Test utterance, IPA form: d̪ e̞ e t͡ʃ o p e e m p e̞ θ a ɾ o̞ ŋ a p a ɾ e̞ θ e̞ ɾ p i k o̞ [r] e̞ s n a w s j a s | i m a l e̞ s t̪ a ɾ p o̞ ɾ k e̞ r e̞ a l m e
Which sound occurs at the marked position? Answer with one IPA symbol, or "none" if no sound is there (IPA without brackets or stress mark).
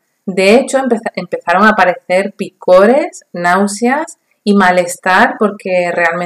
ɾ